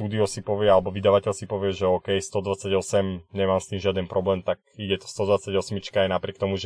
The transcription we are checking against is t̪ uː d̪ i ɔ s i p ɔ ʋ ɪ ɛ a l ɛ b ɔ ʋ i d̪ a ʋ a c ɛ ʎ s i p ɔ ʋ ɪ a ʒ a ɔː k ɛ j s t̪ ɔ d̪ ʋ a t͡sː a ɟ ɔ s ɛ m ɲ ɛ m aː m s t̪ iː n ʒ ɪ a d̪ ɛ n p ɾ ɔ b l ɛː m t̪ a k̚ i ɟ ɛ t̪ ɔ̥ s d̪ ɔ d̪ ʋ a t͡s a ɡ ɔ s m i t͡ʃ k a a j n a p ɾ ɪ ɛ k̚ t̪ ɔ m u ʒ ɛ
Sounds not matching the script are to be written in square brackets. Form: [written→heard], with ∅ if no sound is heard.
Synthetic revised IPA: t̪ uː d̪ i ɔ s i p ɔ ʋ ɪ ɛ a l ɛ b ɔ ʋ i d̪ a ʋ a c ɛ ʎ s i p ɔ ʋ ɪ [a→ɛ] ʒ [a→ɛ] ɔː k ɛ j s t̪ ɔ d̪ ʋ a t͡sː a ɟ ɔ s ɛ m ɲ ɛ m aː m s t̪ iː [n→m] ʒ ɪ a d̪ ɛ n p ɾ ɔ b l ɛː m t̪ a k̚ i ɟ ɛ t̪ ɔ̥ s [d̪→t̪] ɔ d̪ ʋ a t͡s a [ɡ→ɟ] ɔ s m i t͡ʃ k a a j n a p ɾ ɪ ɛ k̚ t̪ ɔ m u ʒ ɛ